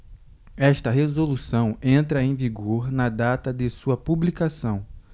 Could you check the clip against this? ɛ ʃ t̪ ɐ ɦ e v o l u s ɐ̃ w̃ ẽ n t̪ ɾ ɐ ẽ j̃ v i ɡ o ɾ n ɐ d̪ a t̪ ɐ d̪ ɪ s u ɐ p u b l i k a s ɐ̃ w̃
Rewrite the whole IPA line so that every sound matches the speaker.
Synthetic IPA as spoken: ɛ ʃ t̪ ɐ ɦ e z o l u s ɐ̃ w̃ ẽ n t̪ ɾ ɐ ẽ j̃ v i ɡ o ɾ n ɐ d̪ a t̪ ɐ d̪ ɪ s u ɐ p u b l i k a s ɐ̃ w̃